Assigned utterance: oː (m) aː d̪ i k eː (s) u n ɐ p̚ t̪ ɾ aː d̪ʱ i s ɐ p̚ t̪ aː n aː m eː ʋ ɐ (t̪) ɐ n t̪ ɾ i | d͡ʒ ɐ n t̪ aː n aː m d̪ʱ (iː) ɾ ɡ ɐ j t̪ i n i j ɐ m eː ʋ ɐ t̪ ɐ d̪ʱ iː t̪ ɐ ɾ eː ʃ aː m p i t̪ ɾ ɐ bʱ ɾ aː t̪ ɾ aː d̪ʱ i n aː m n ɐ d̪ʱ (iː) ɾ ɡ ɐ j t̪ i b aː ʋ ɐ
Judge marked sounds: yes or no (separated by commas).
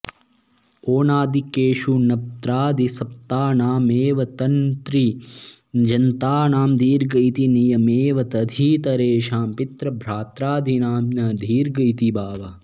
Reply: no, no, yes, yes, yes